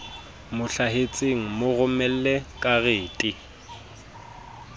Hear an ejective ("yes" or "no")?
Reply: yes